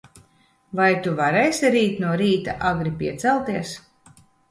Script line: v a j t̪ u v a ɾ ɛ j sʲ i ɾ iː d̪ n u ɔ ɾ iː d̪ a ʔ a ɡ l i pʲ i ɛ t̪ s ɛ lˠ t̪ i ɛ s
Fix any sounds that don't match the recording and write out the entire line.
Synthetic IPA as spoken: v a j t̪ u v a ɾ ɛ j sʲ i ɾ iː t̪ n u ɔ ɾ iː t̪ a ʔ a ɡ ɾ i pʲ i ɛ t̪ s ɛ lˠ t̪ i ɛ s

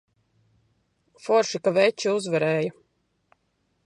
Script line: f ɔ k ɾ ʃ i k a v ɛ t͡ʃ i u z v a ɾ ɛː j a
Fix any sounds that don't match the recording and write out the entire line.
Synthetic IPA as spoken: f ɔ ɾ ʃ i k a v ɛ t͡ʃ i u z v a ɾ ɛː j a

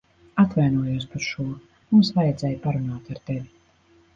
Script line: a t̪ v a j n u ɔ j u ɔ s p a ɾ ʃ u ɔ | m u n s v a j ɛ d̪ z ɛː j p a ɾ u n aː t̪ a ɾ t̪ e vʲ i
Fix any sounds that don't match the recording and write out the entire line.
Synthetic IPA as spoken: a t̪ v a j n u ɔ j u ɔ s p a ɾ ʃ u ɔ | m u m s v a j ɛ d̪ z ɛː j p a ɾ u n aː t̪ a ɾ t̪ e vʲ i

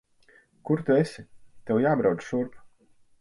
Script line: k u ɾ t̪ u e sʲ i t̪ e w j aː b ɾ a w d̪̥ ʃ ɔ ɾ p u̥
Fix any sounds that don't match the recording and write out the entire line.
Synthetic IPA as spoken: k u ɾ t̪ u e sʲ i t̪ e w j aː b ɾ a w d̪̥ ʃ u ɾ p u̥

